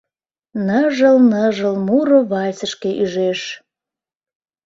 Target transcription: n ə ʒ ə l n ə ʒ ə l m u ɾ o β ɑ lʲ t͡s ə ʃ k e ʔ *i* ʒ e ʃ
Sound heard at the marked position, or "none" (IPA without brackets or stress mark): y